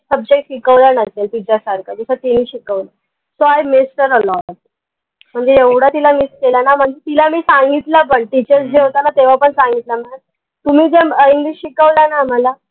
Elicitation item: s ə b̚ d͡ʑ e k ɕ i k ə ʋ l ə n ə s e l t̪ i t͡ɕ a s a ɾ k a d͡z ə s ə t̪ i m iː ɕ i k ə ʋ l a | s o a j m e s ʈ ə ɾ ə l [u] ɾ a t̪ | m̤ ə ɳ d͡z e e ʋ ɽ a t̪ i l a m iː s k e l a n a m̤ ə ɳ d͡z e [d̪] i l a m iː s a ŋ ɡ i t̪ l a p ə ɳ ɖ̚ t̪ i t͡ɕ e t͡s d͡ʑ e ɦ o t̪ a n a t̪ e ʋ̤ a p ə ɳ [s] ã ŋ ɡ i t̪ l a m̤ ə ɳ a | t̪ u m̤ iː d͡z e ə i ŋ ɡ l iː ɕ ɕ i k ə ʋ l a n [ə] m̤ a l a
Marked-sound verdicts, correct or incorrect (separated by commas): incorrect, incorrect, correct, incorrect